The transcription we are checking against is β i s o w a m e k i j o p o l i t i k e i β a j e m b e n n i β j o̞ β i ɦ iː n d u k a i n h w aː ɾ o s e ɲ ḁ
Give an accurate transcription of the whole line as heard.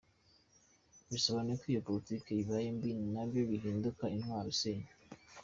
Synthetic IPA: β i s o β a n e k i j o p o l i t i k e i β a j e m b i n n a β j o̞ β i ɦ iː n d u k a i n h w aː ɾ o s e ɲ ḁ